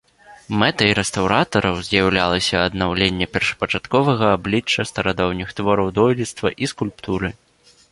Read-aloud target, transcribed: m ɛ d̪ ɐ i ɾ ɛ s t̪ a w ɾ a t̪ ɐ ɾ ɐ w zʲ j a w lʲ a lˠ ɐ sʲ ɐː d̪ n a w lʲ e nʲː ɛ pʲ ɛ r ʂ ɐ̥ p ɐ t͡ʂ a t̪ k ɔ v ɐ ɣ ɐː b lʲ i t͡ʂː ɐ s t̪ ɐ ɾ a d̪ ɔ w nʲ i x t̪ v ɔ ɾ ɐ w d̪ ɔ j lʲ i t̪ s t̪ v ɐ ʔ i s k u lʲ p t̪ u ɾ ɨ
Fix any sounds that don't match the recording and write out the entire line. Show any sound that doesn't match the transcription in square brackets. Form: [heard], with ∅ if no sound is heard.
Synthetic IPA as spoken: m ɛ [t̪] ɐ i ɾ ɛ s t̪ a w ɾ a t̪ ɐ ɾ ɐ w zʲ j a w lʲ a lˠ ɐ sʲ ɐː d̪ n a w lʲ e nʲː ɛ pʲ ɛ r ʂ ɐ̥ p ɐ t͡ʂ a t̪ k ɔ v ɐ ɣ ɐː b lʲ i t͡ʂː ɐ s t̪ ɐ ɾ a d̪ ɔ w nʲ i x t̪ v ɔ ɾ ɐ w d̪ ɔ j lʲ i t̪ s t̪ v ɐ ʔ i s k u lʲ p t̪ u ɾ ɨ